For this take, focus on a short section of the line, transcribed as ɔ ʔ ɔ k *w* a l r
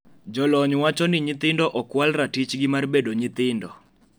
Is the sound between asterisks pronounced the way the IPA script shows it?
yes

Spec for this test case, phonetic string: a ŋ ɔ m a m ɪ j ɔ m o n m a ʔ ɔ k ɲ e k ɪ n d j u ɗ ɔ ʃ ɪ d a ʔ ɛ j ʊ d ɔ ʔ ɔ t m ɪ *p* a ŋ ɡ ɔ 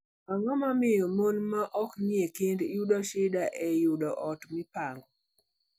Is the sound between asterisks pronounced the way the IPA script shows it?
yes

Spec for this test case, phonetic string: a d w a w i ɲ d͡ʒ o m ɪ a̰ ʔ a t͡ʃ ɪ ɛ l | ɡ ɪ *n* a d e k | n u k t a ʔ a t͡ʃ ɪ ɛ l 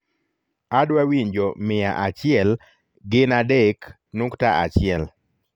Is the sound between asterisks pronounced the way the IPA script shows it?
yes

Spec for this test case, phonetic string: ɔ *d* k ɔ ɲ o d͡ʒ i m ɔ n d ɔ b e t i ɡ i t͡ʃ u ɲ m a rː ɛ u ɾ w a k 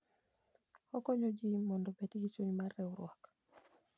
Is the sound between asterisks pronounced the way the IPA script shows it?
no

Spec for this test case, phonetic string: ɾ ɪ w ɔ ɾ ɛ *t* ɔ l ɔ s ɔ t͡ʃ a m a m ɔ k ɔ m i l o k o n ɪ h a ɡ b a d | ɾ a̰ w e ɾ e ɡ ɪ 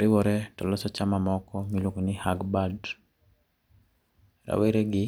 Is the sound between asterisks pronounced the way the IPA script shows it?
yes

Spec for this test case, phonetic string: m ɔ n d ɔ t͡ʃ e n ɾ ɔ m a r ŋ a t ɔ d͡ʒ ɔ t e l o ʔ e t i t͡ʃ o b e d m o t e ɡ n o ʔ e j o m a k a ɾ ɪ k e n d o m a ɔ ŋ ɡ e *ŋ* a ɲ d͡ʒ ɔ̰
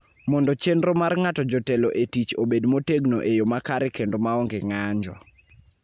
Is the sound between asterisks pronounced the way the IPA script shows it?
yes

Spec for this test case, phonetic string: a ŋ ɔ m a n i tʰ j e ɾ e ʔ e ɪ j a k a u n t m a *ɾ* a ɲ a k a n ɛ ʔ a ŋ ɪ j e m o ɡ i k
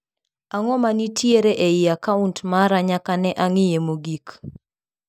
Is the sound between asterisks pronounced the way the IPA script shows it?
yes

